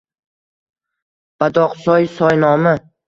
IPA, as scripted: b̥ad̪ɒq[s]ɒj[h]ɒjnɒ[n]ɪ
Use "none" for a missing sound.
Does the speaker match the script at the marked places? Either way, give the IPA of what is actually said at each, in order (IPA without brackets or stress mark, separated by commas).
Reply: s, s, m